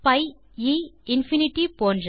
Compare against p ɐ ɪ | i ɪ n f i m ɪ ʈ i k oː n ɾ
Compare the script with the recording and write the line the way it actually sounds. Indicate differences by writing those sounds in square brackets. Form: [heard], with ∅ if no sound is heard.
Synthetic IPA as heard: p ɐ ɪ | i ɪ n f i [n] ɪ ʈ i [p] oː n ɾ